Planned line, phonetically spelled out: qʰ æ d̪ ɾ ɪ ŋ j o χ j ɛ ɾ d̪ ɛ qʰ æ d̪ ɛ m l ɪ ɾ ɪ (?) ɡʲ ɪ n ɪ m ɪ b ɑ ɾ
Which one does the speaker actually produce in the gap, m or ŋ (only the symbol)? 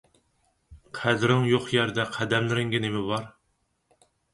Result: ŋ